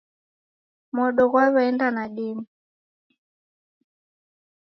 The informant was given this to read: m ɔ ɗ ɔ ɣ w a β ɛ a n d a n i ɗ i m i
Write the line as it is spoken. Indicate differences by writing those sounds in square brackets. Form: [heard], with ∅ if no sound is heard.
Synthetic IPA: m ɔ ɗ ɔ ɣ w a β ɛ [ɛ] n d a n [a] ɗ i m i